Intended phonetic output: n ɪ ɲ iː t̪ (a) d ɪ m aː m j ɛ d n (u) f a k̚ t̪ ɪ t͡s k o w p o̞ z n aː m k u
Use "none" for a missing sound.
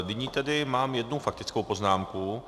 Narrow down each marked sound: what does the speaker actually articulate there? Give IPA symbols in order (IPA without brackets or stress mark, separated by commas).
ɛ, u